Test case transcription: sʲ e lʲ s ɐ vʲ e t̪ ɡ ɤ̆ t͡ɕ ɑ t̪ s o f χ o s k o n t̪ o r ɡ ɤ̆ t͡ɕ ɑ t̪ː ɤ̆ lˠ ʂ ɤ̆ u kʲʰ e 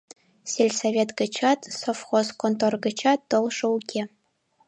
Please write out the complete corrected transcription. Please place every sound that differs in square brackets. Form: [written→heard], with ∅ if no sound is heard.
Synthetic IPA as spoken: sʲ e lʲ s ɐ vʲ e t̪ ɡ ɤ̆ t͡ɕ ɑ t̪ s o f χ o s k o n t̪ o r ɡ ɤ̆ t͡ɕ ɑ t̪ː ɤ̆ lˠ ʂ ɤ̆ u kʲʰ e